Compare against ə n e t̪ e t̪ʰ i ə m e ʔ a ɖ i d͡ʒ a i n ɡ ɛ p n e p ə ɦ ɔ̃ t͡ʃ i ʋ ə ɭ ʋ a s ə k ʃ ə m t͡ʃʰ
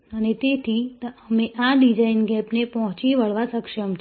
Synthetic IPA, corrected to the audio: ə n e t̪ e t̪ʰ i ə m e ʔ a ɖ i d͡ʒ a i n ɡ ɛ p n e p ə ɦ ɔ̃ t͡ʃ i ʋ ə ɭ ʋ a s ə k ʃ ə m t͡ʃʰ